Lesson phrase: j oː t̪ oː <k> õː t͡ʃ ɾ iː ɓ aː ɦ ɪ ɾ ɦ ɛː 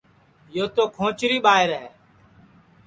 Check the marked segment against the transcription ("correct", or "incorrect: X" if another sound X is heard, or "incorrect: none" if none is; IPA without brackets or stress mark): incorrect: kʰ